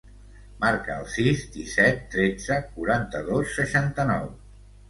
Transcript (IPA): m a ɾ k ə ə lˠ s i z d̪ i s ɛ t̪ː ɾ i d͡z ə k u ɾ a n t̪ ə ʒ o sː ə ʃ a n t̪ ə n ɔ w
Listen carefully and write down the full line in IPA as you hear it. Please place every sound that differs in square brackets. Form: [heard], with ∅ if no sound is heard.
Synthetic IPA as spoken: m a ɾ k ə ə lˠ s i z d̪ i s ɛ t̪ː ɾ [e] d͡z ə k u ɾ a n t̪ ə [ð] o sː ə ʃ a n t̪ ə n ɔ w